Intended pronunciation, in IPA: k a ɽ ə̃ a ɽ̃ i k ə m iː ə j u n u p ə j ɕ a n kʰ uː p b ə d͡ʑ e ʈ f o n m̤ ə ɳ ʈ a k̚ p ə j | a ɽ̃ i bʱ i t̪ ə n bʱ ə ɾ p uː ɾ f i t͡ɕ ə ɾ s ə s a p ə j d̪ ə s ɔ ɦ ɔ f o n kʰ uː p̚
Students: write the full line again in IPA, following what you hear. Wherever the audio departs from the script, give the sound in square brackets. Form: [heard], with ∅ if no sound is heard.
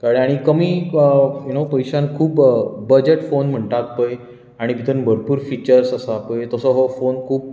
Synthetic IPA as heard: k a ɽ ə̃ a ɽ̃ i k ə m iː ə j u n [o] p ə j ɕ a n kʰ uː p b ə d͡ʑ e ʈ f o n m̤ ə ɳ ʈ a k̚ p ə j | a ɽ̃ i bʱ i t̪ ə n bʱ ə ɾ p uː ɾ f i t͡ɕ ə ɾ s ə s a p ə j [t̪] ə s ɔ ɦ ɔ f o n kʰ uː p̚